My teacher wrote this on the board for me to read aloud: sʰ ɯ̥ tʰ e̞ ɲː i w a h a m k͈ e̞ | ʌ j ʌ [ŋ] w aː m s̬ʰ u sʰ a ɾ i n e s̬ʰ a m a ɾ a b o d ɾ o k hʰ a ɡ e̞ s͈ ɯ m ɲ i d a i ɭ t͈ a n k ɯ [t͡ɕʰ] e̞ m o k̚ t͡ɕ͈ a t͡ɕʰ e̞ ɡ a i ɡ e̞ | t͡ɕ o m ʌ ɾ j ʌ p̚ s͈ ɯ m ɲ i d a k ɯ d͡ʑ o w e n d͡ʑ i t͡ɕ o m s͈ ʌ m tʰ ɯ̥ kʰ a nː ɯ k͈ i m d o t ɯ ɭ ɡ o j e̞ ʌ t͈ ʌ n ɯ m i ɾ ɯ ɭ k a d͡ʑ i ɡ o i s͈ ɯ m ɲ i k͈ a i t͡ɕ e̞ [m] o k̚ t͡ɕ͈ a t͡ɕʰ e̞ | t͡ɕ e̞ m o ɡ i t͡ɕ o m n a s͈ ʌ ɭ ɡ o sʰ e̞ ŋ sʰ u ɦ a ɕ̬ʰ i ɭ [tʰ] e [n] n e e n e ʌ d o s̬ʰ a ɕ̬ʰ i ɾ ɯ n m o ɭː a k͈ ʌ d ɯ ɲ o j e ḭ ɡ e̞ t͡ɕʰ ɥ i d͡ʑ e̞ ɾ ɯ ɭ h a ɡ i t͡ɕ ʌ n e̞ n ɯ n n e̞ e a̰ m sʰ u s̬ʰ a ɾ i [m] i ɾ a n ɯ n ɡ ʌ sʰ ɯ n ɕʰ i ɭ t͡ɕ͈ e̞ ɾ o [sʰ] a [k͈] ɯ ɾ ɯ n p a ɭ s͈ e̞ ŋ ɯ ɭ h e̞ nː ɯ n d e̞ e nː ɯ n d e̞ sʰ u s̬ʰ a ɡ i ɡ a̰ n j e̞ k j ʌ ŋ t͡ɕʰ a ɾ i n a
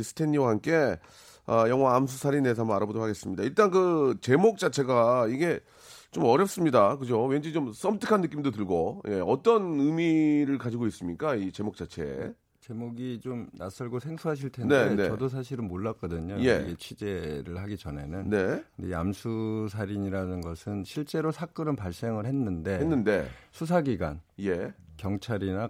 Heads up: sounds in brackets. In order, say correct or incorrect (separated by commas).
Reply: correct, incorrect, correct, correct, correct, incorrect, correct, correct